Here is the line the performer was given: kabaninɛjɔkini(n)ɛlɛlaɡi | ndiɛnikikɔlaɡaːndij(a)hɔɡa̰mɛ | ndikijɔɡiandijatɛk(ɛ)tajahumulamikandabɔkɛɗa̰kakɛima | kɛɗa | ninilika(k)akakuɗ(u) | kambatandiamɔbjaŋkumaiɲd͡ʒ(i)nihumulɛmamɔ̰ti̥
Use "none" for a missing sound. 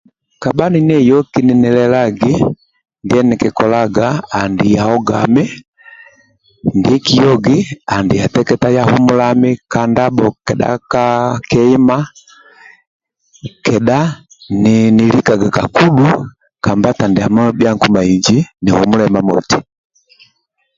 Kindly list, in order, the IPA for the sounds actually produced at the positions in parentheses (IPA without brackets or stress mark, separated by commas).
n, a, ɛ, ɡ, u, i